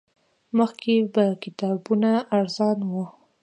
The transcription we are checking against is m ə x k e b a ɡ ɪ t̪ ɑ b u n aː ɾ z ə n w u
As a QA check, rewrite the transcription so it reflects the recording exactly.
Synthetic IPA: m ə x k e b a k ɪ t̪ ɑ b u n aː ɾ z ɑ n w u